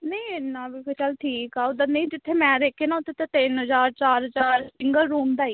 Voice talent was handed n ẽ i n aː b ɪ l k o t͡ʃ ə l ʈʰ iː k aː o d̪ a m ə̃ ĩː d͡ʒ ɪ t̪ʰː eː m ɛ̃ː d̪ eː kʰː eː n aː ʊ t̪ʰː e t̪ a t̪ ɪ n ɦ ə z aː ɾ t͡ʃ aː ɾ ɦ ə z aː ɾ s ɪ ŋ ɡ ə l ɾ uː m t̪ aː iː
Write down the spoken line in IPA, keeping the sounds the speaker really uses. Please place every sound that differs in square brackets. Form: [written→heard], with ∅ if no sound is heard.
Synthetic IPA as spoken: n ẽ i n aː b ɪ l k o t͡ʃ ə l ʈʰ iː k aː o d̪ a [m→n] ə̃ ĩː d͡ʒ ɪ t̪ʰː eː m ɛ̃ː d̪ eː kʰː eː n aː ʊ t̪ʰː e t̪ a t̪ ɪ n ɦ ə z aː ɾ t͡ʃ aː ɾ ɦ ə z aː ɾ s ɪ ŋ ɡ ə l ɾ uː m [t̪→d̪] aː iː